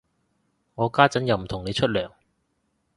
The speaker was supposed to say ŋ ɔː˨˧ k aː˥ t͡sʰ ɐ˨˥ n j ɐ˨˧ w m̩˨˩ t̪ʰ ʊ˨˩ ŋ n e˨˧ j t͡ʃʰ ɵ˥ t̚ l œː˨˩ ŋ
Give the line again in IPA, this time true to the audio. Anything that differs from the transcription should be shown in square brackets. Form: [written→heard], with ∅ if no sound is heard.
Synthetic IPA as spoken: ŋ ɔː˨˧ k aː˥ [t͡sʰ→t͡s] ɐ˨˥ n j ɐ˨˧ w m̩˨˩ t̪ʰ ʊ˨˩ ŋ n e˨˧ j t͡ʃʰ ɵ˥ t̚ l œː˨˩ ŋ